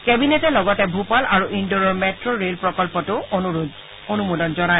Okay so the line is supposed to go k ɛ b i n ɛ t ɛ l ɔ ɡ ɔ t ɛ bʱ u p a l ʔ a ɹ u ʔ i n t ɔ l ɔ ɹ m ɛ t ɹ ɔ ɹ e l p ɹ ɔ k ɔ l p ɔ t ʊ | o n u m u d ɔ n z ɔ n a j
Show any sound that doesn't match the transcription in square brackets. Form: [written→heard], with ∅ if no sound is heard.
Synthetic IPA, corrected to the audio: k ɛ b i n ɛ t ɛ l ɔ ɡ ɔ t ɛ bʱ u p a l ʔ a ɹ u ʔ i n [t→d] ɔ [l→ɹ] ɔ ɹ m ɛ t ɹ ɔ ɹ e l p ɹ ɔ k ɔ l p ɔ t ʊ | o n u m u d ɔ n z ɔ n a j